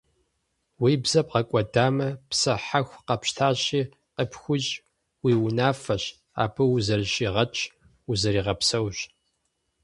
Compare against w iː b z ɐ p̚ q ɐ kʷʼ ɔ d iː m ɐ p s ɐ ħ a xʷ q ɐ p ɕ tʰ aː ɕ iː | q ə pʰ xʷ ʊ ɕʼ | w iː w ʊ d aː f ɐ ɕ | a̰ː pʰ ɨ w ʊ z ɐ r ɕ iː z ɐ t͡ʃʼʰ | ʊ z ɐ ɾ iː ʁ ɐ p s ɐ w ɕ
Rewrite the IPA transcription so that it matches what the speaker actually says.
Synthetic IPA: w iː b z ɐ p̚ q ɐ kʷʼ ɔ d aː m ɐ p s ɐ ħ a xʷ q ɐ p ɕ tʰ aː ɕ iː | q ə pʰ xʷ ʊ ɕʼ | w iː w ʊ n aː f ɐ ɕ | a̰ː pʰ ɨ w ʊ z ɐ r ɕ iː ʁ ɐ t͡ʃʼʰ | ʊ z ɐ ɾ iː ʁ ɐ p s ɐ w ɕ